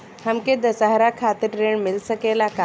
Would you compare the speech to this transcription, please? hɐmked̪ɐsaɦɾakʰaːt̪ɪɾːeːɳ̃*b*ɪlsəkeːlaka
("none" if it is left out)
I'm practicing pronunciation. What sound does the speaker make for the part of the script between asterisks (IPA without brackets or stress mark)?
m